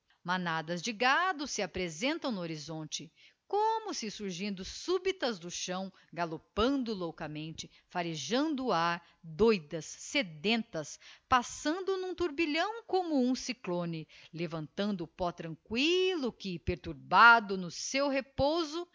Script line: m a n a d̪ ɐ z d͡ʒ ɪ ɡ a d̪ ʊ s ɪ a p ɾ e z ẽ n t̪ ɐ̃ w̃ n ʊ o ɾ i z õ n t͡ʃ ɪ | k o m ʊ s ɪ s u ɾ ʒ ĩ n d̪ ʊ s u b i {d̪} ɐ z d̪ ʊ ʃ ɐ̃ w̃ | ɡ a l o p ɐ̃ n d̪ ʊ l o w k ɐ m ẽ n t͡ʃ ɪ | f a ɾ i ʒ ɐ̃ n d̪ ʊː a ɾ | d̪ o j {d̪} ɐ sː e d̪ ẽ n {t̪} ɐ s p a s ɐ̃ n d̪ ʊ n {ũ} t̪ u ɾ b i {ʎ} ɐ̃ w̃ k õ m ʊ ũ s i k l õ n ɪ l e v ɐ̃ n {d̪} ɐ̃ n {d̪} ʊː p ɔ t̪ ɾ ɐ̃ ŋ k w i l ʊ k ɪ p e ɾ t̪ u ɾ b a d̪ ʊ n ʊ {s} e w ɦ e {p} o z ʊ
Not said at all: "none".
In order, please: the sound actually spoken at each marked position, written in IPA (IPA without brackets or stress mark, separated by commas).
t̪, d̪, t̪, ũ, ʎ, t̪, d̪, s, p